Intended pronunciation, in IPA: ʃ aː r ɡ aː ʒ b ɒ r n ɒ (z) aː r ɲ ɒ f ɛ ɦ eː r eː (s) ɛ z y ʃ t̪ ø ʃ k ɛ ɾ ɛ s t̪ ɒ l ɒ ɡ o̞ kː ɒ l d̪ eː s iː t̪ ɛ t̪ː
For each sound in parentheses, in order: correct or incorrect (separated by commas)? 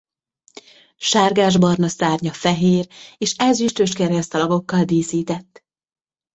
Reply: incorrect, incorrect